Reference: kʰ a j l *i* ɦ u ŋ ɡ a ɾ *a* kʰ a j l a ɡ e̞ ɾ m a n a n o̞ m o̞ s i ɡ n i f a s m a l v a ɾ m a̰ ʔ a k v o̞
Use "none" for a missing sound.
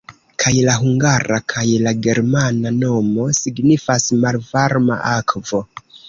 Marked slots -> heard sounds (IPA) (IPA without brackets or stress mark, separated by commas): a, a